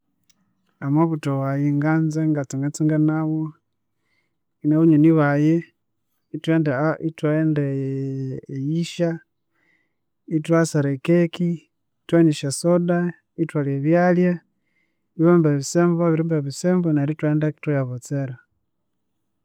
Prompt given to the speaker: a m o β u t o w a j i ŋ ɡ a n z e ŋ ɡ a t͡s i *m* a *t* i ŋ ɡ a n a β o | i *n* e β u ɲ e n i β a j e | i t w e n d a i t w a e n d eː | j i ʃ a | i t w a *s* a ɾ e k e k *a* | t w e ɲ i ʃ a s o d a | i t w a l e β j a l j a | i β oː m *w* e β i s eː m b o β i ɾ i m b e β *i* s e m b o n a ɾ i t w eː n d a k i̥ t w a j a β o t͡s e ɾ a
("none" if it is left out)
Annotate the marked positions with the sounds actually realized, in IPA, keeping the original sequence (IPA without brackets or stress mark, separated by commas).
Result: ŋ, t͡s, n, s, i, b, i